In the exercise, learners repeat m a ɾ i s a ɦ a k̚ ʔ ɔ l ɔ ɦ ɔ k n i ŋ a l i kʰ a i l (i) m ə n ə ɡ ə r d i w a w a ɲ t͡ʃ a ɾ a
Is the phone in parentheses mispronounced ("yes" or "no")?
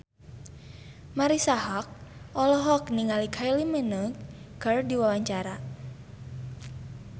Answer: no